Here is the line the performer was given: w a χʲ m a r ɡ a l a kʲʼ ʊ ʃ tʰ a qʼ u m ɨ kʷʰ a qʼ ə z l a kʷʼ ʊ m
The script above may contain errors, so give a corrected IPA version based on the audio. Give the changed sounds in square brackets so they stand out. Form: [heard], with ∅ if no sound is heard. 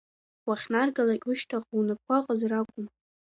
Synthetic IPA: w a χʲ [n] a r ɡ a l a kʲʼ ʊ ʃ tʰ a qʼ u [n] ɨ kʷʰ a qʼ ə z [r] a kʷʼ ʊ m